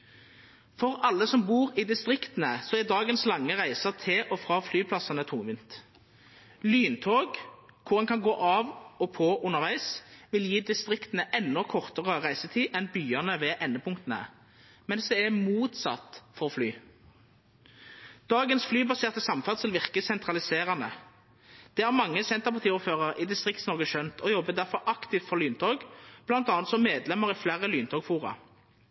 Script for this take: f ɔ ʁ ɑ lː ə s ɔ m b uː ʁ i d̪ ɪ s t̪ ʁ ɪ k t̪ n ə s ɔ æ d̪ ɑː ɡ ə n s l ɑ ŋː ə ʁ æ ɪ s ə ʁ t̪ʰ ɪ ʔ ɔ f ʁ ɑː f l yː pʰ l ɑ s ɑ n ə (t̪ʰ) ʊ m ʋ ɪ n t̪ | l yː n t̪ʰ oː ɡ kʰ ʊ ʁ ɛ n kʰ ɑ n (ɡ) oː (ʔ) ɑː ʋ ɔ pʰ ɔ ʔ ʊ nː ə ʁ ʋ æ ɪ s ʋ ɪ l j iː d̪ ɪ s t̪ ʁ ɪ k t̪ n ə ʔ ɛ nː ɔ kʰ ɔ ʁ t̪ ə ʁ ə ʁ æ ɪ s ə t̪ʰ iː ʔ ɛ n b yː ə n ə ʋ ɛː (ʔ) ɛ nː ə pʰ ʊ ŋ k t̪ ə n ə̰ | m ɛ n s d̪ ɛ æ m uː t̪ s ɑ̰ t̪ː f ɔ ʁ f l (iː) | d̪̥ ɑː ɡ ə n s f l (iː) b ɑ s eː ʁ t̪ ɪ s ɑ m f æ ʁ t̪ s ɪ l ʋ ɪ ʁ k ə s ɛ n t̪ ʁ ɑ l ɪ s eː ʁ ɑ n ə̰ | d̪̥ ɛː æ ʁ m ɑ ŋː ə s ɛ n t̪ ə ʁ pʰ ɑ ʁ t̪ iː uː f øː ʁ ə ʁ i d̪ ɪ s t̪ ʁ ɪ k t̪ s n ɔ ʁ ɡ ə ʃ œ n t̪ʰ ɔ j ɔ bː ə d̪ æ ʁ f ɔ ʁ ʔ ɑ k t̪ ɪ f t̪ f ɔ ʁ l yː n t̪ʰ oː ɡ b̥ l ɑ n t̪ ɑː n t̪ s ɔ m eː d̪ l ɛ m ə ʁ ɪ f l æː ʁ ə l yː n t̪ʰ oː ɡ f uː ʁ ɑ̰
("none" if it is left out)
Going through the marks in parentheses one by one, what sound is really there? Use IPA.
t̪ʰ, ɡ, ʔ, ʔ, yː, yː

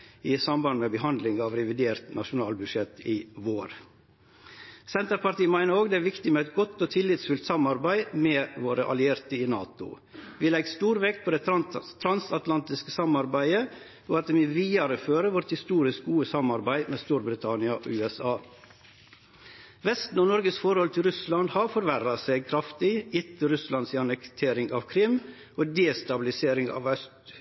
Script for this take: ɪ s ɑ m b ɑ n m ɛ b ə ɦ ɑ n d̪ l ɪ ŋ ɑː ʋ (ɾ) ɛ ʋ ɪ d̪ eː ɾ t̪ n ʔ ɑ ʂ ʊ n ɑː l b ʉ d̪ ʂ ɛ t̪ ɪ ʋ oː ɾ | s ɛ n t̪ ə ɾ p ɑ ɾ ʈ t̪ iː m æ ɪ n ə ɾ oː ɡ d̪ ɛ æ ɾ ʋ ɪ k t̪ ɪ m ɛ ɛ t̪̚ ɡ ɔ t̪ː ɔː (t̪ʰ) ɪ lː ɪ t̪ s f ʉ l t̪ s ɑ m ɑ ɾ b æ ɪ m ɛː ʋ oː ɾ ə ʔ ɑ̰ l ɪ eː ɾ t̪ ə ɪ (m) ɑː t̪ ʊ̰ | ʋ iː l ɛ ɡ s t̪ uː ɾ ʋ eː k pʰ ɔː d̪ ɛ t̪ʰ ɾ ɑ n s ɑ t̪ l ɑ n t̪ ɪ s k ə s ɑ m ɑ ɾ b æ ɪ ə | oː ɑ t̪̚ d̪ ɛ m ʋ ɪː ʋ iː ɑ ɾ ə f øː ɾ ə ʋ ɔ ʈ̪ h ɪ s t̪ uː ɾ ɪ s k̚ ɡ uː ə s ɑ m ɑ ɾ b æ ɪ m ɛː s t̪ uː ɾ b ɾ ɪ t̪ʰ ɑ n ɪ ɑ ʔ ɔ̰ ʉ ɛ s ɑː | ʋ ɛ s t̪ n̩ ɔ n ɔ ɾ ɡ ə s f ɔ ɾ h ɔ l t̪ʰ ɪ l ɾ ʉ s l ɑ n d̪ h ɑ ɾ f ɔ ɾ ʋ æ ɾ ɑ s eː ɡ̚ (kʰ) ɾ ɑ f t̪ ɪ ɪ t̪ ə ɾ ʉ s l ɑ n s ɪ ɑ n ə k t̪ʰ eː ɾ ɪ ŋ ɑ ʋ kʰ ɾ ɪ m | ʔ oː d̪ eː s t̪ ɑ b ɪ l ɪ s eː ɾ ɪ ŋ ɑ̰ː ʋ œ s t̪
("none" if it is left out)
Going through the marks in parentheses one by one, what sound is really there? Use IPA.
ɾ, t̪ʰ, n, kʰ

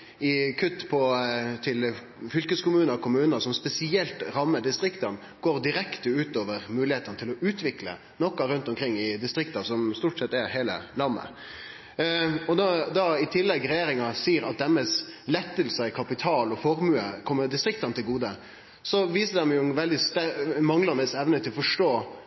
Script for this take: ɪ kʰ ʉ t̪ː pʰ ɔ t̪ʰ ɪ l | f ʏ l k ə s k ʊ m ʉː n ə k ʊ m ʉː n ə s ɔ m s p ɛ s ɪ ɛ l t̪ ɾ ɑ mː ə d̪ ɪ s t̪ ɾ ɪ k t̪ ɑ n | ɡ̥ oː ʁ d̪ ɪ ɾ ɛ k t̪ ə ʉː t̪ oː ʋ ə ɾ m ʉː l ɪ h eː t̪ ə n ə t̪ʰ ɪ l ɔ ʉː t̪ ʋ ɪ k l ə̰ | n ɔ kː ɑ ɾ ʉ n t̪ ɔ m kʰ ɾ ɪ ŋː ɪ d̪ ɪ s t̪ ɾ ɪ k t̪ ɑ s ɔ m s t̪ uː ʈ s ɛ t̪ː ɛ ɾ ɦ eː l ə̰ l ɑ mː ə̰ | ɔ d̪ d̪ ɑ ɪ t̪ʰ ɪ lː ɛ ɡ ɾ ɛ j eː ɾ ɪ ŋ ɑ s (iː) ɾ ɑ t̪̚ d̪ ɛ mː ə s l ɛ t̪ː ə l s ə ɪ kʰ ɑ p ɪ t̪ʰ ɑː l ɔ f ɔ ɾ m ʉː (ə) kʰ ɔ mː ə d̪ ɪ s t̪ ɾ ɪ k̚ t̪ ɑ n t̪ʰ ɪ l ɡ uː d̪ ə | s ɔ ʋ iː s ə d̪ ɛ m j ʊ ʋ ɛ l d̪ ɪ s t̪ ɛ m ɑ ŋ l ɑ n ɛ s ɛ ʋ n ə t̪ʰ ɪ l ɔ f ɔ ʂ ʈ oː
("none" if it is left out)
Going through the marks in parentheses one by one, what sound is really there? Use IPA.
iː, ə

